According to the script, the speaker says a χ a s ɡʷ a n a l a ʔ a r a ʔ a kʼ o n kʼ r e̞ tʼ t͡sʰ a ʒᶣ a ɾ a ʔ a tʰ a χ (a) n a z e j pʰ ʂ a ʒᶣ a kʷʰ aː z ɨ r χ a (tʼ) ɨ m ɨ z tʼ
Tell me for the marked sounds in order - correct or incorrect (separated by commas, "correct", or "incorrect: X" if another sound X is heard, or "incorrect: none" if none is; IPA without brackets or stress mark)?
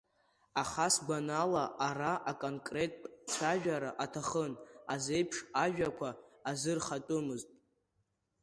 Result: incorrect: ə, correct